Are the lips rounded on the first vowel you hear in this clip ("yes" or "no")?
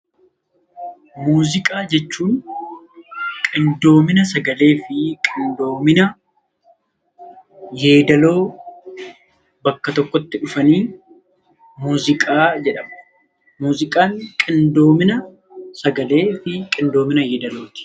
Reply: yes